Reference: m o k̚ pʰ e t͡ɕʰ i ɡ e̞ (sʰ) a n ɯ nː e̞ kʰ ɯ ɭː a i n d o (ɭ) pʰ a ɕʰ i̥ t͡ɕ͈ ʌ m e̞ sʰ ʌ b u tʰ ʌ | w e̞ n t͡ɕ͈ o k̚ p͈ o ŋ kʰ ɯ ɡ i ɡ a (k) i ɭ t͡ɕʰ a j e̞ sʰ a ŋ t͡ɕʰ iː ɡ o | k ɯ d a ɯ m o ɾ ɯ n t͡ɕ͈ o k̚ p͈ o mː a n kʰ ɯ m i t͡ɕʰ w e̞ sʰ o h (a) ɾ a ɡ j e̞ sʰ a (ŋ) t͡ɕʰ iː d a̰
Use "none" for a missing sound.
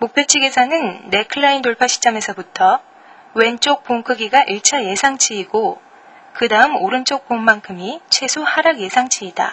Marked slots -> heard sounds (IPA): sʰ, ɭ, ʔ, a, ŋ

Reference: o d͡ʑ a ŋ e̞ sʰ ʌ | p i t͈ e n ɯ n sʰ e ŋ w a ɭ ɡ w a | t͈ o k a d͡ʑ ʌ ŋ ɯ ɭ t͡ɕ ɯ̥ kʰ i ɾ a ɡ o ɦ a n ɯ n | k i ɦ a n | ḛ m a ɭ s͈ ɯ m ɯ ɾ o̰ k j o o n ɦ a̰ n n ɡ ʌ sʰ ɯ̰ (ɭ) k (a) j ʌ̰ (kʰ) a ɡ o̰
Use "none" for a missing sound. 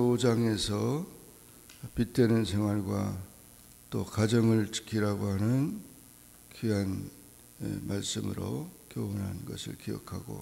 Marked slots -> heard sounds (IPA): ɭ, i, kʰ

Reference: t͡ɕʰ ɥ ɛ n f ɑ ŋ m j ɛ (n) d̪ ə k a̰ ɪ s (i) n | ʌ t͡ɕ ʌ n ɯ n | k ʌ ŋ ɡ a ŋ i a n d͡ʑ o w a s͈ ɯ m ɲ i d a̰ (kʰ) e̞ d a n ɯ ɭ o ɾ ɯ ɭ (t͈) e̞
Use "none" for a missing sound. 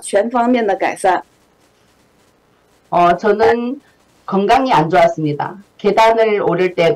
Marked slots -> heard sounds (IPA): n, a, k, t͈

